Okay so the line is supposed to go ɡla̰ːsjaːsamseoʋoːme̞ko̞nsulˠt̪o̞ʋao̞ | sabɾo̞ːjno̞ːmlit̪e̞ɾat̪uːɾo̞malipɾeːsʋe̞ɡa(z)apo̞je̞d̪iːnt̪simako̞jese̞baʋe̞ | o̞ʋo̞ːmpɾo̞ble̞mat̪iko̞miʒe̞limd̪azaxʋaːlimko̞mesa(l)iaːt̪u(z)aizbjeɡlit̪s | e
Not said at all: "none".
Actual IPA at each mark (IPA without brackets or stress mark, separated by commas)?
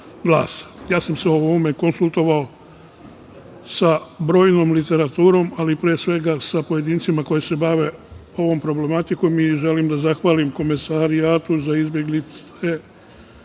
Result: s, ɾ, z